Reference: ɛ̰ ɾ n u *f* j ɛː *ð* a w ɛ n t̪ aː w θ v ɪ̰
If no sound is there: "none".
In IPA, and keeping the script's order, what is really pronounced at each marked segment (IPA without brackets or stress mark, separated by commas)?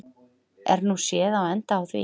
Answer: s, ð